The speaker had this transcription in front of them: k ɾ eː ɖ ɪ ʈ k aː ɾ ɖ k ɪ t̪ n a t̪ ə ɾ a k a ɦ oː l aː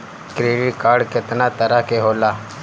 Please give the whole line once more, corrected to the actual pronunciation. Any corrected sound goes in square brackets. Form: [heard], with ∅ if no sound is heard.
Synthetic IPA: k ɾ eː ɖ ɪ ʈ k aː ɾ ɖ k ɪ t̪ n a t̪ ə ɾ a k [e] ɦ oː l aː